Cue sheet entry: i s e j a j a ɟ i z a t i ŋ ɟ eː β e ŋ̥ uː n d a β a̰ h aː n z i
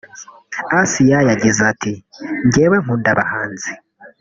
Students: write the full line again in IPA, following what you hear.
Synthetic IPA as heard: a s i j a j a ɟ i z a t i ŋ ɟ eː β e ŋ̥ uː n d a β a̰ h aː n z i